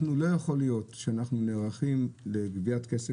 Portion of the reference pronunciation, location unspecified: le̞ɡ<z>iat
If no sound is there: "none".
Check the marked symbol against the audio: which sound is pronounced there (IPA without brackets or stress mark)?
v